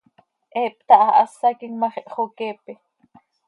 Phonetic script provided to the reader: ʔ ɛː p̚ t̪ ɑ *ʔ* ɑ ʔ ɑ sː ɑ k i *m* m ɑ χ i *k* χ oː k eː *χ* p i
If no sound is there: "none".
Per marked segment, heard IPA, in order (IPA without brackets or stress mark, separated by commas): ʔ, ŋ, ʔ, none